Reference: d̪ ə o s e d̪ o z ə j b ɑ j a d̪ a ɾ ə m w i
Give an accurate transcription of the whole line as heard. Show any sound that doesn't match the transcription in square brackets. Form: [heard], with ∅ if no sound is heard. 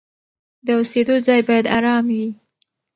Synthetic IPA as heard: d̪ ə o s e d̪ o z [ɑ] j b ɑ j a d̪ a ɾ [ɑ] m w i